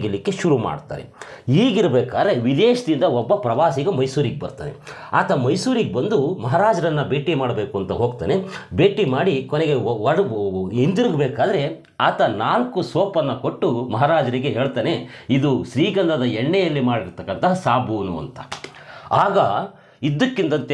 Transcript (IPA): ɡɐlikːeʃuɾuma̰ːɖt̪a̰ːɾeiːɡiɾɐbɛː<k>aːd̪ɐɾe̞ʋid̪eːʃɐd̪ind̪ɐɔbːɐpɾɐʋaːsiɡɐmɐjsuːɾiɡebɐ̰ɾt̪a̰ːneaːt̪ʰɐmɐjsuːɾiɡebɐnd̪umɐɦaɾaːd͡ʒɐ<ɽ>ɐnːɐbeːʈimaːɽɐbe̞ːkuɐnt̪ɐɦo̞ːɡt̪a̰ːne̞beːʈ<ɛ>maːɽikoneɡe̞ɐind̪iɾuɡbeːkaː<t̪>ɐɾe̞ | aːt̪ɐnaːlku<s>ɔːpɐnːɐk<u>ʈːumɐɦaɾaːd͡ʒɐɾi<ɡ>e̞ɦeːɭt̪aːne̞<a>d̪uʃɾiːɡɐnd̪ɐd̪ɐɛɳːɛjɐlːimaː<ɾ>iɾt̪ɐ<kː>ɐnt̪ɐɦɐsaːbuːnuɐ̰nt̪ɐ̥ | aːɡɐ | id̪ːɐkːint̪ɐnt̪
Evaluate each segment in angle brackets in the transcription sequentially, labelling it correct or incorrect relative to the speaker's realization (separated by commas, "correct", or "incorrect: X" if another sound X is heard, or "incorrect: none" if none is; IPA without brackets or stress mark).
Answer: correct, incorrect: ɾ, incorrect: i, incorrect: d̪, correct, incorrect: o, correct, incorrect: i, incorrect: ɽ, correct